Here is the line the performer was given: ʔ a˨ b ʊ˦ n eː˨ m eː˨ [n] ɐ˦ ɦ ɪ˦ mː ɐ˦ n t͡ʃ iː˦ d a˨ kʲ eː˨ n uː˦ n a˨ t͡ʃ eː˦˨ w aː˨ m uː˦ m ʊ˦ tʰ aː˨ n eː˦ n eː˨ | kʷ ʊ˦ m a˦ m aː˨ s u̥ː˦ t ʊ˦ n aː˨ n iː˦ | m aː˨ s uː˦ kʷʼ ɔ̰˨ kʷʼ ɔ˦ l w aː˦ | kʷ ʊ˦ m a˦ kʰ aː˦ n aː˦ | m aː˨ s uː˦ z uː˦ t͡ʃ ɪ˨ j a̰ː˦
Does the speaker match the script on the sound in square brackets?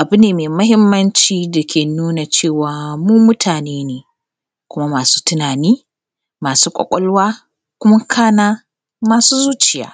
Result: no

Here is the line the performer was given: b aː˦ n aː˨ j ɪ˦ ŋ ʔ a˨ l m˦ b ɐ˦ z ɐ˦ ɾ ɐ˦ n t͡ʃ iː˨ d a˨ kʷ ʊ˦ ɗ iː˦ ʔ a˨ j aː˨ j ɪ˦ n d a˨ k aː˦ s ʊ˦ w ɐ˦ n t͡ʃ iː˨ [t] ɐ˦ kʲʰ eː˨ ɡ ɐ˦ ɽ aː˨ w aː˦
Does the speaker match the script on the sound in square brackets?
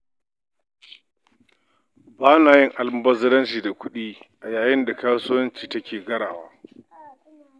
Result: yes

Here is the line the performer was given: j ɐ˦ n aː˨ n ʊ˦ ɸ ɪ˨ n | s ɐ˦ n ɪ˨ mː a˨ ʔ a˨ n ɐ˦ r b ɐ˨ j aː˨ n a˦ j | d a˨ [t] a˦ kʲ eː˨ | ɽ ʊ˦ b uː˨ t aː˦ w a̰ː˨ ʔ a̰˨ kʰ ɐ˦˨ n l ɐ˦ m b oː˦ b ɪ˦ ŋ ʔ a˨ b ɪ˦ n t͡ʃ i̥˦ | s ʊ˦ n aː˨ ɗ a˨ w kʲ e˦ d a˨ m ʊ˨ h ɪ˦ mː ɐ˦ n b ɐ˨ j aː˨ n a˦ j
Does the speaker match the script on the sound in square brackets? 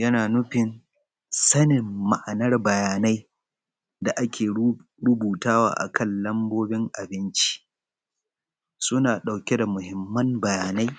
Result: no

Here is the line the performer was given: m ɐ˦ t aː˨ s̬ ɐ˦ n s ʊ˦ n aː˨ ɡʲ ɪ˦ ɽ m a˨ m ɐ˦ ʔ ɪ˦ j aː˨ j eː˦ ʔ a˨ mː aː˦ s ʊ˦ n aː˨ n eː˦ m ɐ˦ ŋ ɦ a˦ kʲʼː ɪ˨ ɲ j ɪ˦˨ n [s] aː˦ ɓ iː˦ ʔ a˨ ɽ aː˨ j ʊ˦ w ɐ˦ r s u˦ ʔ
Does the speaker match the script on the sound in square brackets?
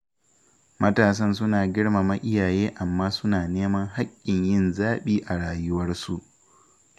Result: no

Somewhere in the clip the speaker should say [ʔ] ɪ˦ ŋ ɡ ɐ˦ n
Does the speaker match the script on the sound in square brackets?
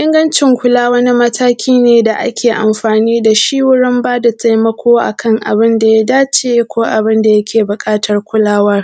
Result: yes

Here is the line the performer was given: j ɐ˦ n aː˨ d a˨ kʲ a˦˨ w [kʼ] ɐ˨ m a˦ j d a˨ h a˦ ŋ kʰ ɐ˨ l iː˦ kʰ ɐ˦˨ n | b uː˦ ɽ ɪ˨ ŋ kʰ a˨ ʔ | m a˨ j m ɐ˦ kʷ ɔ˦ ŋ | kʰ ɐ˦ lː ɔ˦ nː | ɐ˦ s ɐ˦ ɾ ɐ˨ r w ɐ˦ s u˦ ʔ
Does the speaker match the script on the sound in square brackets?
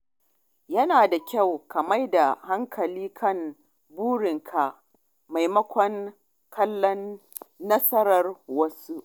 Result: no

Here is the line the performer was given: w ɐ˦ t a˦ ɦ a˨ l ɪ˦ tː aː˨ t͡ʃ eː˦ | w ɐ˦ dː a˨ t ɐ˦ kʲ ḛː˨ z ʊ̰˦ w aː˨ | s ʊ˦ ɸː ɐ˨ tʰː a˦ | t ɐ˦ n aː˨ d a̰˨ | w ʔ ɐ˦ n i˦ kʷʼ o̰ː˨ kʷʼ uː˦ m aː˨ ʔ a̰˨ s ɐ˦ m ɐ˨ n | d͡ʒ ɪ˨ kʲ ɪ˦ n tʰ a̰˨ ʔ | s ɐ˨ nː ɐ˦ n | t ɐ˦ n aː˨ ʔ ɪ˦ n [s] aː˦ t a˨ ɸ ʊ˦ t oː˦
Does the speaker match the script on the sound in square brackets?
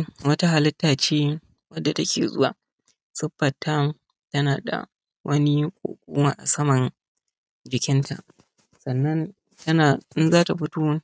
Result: no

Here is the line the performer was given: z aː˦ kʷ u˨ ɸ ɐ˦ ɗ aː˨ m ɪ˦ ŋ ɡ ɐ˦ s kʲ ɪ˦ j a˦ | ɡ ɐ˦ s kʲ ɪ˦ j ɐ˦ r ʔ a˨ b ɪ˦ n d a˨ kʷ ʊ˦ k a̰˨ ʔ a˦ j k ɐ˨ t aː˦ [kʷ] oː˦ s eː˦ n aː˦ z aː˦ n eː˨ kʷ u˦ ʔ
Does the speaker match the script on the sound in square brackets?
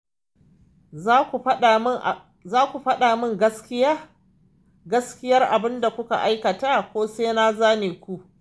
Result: yes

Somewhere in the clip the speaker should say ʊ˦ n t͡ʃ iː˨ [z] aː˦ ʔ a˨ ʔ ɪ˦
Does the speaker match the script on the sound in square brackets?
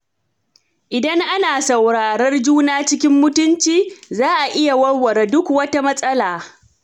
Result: yes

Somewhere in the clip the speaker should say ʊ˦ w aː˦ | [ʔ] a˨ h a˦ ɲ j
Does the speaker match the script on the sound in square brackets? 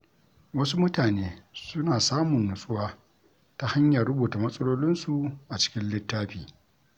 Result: no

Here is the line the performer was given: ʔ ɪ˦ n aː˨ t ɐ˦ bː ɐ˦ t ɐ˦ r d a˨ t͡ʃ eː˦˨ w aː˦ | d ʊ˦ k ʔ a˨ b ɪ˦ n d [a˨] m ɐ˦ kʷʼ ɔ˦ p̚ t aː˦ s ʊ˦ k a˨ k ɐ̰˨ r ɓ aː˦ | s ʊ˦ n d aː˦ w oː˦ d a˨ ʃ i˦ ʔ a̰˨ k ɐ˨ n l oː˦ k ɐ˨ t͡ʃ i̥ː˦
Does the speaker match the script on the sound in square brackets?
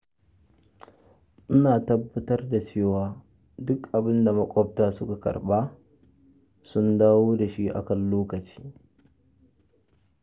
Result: yes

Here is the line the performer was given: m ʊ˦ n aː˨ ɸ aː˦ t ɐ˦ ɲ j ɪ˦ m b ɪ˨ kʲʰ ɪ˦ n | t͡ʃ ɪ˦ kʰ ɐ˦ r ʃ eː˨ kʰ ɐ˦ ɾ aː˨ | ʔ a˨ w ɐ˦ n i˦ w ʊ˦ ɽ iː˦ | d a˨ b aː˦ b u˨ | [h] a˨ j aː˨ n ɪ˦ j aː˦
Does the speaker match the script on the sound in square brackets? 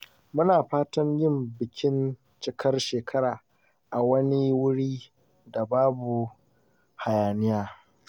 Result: yes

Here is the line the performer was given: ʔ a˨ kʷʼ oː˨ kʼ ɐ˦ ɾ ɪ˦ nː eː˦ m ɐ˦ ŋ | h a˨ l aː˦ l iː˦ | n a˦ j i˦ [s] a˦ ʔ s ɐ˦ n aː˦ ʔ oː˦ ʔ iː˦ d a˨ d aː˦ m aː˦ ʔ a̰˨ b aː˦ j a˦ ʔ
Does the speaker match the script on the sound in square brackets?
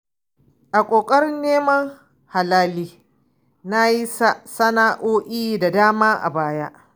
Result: yes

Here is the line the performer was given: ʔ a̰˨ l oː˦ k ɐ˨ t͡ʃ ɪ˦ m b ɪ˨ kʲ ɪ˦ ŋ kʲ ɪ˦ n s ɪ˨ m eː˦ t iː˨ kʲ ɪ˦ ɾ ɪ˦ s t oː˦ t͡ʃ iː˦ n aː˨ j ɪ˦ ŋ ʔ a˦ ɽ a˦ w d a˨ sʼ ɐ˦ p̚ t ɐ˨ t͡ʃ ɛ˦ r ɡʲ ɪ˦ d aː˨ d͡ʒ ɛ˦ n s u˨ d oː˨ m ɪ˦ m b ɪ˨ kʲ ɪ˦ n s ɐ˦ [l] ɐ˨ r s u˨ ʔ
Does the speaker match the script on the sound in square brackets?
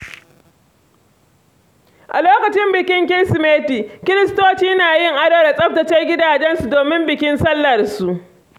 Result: no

